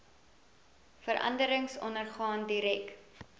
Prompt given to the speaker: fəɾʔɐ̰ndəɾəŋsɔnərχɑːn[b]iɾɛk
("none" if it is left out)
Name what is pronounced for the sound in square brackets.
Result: d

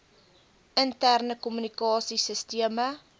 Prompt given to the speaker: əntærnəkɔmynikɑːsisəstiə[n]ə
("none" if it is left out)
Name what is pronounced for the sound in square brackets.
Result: m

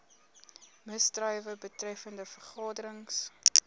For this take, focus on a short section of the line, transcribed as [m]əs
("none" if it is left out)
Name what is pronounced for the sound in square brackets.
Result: m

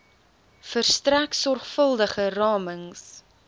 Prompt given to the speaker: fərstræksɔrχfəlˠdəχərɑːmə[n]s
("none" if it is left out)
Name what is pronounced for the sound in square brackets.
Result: ŋ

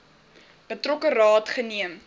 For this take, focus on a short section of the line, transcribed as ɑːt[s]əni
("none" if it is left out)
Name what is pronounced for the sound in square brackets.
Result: χ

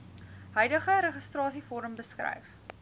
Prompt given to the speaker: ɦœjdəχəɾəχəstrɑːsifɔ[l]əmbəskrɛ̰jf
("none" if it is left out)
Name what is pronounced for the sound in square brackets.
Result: ɾ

